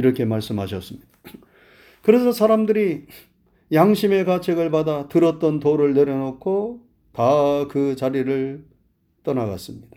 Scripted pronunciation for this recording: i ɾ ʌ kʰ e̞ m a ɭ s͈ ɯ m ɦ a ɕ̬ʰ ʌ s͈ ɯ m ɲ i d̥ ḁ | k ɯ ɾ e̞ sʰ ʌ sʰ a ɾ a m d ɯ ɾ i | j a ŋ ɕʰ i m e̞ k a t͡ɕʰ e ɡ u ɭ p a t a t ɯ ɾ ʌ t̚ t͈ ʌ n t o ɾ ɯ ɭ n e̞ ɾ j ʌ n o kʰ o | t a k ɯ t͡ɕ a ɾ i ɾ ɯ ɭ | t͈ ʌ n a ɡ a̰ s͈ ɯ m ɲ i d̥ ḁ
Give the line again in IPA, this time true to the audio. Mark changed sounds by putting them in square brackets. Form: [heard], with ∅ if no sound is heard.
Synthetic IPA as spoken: i ɾ ʌ kʰ e̞ m a ɭ s͈ ɯ m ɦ a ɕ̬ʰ ʌ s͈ ɯ m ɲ i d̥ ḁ | k ɯ ɾ e̞ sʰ ʌ sʰ a ɾ a m d ɯ ɾ i | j a ŋ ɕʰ i m e̞ k a t͡ɕʰ e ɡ [ɯ] ɭ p a [d] a t ɯ ɾ ʌ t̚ t͈ ʌ n t o ɾ ɯ ɭ n e̞ ɾ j ʌ n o kʰ o | t a k ɯ t͡ɕ a ɾ i ɾ ɯ ɭ | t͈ ʌ n a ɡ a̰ s͈ ɯ m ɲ i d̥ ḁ